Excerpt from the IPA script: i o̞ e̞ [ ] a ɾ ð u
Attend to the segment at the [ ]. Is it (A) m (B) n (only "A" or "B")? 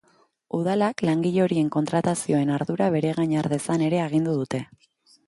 B